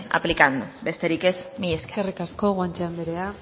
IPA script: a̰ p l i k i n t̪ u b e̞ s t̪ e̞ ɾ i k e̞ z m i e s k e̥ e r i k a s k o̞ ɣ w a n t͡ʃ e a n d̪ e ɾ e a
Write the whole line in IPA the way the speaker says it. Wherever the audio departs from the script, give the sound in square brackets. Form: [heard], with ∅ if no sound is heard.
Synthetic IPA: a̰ p l i k [a] n [d̪] u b e̞ s t̪ e̞ ɾ i k e̞ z m i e s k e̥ e r i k a s k o̞ ɣ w a n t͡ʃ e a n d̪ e ɾ e a